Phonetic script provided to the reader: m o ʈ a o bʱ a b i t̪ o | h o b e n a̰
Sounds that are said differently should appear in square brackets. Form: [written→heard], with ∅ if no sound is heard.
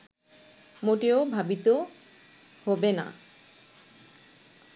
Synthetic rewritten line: m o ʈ [a→e] o bʱ a b i t̪ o | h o b e n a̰